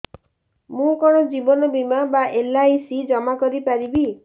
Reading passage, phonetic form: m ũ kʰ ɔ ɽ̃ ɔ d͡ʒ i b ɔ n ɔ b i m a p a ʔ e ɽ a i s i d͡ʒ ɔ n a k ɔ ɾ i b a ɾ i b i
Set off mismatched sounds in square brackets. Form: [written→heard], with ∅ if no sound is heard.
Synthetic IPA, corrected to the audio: m ũ [kʰ→k] ɔ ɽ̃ ɔ d͡ʒ i b ɔ n ɔ b i m a [p→b] a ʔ e [ɽ→l] a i s i d͡ʒ ɔ [n→m] a k ɔ ɾ i [b→p] a ɾ i b i